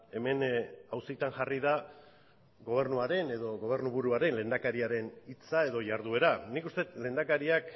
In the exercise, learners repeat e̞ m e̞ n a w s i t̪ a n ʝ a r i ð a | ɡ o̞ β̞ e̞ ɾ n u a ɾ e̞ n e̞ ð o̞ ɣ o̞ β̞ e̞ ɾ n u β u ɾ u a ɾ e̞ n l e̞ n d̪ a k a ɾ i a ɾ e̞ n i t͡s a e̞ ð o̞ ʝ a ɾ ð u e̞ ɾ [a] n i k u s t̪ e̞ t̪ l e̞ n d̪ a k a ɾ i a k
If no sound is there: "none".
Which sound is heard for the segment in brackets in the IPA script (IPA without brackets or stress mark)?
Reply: a